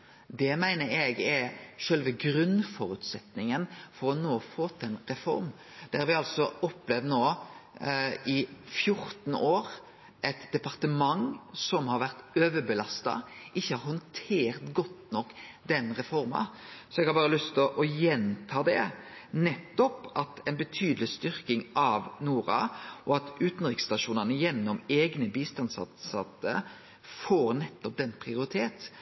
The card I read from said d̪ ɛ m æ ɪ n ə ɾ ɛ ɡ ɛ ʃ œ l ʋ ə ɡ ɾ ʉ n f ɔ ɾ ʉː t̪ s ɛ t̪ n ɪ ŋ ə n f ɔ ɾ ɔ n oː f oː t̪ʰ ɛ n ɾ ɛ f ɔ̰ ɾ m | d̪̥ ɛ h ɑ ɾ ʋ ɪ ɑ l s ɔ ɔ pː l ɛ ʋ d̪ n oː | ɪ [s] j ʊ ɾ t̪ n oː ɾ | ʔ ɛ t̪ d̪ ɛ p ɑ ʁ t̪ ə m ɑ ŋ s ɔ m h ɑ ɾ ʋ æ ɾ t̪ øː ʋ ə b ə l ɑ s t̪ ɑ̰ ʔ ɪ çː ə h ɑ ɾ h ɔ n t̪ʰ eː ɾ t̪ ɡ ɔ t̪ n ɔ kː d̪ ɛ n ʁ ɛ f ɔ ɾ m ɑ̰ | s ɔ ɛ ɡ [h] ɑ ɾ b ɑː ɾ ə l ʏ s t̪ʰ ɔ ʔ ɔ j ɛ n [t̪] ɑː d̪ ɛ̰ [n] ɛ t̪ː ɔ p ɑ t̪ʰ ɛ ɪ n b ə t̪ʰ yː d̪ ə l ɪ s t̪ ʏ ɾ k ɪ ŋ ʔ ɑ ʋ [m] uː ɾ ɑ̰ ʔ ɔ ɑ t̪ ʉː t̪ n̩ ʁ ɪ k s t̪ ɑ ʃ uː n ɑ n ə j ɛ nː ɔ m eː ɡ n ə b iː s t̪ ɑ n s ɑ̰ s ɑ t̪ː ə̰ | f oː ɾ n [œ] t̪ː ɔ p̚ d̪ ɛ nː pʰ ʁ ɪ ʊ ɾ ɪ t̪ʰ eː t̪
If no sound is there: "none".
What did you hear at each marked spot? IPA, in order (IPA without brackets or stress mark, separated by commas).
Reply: f, h, t̪ʰ, n, n, ɛ